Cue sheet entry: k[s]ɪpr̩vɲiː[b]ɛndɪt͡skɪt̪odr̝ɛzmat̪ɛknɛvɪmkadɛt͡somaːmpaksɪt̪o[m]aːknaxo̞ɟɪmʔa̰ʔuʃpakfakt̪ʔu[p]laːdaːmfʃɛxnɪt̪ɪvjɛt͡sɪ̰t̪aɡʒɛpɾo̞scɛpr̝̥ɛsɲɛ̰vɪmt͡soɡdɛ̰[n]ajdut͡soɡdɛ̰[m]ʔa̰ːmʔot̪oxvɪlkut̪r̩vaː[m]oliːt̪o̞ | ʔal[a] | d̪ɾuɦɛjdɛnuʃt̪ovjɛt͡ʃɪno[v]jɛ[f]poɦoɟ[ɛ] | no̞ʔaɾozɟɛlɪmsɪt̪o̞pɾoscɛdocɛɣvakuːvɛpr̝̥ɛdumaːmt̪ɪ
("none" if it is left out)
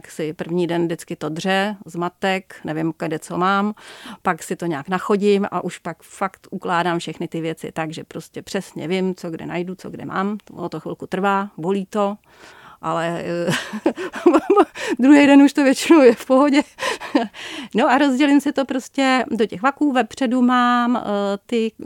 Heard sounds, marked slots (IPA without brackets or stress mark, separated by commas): s, d, ɲ, k, n, m, b, ɛ, w, f, ɛ